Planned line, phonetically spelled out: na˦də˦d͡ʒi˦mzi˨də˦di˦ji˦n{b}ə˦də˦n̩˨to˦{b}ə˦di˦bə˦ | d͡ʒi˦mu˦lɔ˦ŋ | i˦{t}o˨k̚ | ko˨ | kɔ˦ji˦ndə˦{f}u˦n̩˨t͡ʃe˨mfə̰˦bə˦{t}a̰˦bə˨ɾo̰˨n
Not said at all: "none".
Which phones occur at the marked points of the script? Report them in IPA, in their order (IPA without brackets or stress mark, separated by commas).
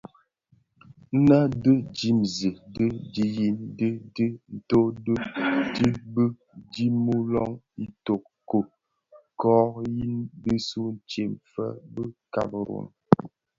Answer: d, d, t, s, k